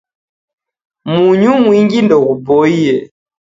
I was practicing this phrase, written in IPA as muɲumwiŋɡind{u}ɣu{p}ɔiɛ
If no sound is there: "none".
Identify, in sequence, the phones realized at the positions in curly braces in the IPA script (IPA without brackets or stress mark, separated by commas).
ɔ, b